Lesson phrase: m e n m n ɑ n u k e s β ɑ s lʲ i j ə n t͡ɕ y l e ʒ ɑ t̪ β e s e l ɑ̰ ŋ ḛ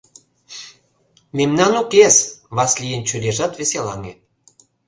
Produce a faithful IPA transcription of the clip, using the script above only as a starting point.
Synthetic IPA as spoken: m e m n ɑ n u k e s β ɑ s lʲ i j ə n t͡ɕ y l e ʒ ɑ t̪ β e s e l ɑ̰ ŋ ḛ